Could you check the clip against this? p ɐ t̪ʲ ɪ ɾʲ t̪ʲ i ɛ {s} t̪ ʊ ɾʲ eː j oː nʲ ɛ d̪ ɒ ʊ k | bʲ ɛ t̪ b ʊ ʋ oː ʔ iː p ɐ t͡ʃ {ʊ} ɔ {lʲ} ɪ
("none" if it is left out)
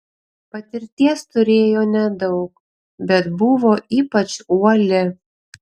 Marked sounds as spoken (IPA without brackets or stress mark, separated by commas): s, u, lʲ